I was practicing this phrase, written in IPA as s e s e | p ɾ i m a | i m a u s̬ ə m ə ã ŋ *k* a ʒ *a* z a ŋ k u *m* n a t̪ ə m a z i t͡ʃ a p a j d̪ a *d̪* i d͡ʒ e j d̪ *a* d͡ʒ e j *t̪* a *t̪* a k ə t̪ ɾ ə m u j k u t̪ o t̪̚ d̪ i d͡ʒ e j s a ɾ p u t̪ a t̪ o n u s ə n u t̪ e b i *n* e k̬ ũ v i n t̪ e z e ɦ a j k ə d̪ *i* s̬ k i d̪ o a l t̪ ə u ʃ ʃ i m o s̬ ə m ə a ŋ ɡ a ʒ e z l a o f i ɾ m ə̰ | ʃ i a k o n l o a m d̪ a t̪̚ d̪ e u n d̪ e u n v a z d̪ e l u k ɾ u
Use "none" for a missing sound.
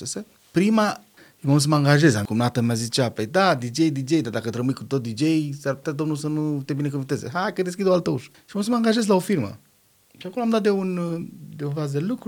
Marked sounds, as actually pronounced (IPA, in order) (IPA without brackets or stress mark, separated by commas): ɡ, e, m, d̪, i, d̪, d̪, n, e